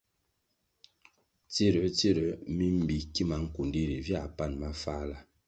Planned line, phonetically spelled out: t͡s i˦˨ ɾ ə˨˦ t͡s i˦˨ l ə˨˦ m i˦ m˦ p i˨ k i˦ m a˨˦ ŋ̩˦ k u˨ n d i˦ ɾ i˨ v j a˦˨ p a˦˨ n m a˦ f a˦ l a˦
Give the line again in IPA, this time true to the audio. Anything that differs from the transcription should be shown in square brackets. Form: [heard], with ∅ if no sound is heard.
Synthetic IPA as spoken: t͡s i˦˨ ɾ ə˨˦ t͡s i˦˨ [ɾ] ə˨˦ m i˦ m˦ [b] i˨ k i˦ m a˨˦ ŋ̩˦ k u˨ n d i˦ ɾ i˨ v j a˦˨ p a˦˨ n m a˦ f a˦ l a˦